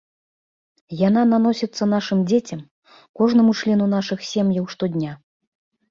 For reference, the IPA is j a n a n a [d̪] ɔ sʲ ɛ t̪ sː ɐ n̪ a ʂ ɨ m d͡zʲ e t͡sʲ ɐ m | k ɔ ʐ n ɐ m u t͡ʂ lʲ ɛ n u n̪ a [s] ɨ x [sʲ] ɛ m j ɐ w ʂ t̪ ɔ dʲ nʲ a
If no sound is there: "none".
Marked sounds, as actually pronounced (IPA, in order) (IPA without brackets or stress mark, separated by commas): n̪, ʂ, sʲ